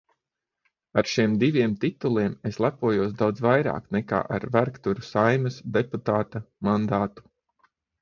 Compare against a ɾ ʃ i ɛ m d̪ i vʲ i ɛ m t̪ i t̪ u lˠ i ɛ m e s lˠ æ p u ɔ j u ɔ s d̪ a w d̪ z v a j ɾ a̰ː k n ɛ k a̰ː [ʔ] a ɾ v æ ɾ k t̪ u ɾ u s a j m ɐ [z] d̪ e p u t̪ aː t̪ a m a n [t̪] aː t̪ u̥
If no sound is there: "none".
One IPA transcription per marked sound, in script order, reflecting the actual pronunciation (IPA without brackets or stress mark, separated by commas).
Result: ʔ, s, d̪